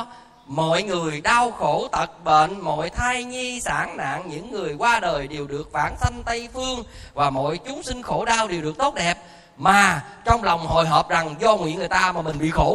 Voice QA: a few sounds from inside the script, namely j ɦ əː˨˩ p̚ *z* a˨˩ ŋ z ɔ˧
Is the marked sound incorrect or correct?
correct